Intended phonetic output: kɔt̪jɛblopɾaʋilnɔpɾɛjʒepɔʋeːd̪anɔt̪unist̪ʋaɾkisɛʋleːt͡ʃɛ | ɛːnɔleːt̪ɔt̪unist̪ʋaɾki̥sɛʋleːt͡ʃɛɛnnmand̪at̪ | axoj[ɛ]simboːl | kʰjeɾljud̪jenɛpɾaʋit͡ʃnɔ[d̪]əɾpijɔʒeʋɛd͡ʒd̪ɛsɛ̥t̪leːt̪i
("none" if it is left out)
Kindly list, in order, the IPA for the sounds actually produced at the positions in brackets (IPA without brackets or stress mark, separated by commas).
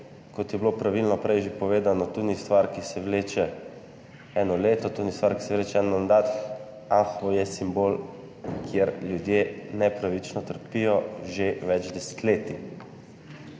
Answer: ɛ, t̪